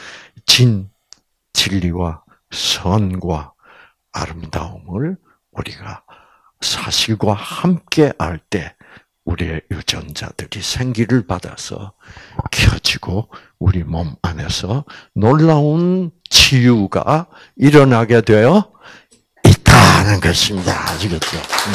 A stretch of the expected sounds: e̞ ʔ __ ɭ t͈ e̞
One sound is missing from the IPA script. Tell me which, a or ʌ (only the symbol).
a